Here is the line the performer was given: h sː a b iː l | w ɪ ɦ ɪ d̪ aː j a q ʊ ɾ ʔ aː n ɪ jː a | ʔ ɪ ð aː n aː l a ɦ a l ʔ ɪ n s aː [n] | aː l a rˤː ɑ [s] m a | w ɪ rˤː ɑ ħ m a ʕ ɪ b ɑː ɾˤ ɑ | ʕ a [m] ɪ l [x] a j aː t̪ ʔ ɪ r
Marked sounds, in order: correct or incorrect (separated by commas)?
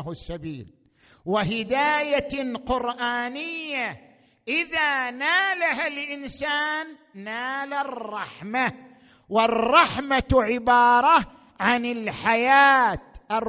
incorrect, incorrect, incorrect, incorrect